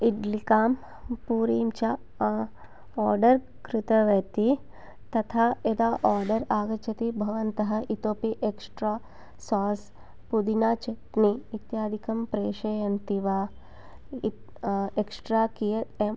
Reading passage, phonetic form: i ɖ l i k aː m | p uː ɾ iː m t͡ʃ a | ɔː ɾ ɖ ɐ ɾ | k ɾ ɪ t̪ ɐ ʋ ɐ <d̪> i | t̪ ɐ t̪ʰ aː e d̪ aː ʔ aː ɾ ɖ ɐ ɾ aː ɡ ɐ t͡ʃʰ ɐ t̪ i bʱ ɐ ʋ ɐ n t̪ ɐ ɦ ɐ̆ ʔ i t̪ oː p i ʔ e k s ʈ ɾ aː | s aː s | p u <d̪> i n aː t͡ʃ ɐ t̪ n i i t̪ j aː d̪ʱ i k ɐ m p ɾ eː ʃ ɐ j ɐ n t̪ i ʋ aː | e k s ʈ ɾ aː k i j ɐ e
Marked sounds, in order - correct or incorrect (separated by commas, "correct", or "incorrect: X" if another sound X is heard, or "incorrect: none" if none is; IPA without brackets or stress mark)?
incorrect: t̪, correct